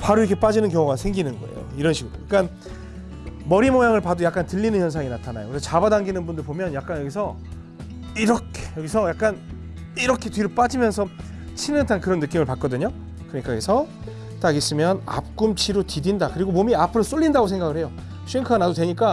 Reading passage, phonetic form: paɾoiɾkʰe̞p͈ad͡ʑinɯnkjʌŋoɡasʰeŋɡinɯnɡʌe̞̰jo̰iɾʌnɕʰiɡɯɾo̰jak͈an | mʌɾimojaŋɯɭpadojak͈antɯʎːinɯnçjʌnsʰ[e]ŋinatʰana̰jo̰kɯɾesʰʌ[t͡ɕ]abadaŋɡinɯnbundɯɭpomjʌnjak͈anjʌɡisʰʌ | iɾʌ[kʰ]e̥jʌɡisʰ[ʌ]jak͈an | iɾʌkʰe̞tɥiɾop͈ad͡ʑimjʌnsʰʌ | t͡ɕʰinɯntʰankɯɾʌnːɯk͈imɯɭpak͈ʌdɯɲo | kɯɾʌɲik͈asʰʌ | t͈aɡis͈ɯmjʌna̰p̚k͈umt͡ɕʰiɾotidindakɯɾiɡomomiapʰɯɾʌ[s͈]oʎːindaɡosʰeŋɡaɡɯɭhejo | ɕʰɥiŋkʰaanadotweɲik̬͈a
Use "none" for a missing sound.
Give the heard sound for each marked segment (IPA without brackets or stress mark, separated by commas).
a, t͡ɕ, kʰ, ʌ, s͈